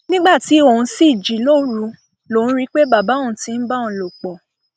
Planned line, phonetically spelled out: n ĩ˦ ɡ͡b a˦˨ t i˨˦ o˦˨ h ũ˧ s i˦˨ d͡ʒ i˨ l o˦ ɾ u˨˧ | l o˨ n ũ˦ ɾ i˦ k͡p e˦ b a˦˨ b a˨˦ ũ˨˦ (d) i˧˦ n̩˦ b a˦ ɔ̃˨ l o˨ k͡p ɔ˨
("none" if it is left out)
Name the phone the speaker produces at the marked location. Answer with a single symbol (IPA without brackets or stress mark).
t